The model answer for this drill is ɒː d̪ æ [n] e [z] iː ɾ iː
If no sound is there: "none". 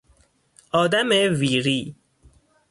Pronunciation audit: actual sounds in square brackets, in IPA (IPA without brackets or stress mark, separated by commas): m, v